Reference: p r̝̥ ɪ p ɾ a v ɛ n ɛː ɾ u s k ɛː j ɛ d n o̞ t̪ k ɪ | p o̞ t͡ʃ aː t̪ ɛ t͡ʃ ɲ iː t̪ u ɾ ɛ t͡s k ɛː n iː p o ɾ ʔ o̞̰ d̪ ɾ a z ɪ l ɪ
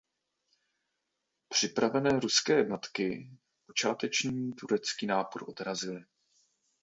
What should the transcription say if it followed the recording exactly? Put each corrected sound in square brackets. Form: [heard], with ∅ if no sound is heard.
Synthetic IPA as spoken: p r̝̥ ɪ p ɾ a v ɛ n ɛː ɾ u s k ɛː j ɛ d n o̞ t̪ k ɪ | p o̞ t͡ʃ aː t̪ ɛ t͡ʃ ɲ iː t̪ u ɾ ɛ t͡s k [iː] n [aː] p o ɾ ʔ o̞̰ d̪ ɾ a z ɪ l ɪ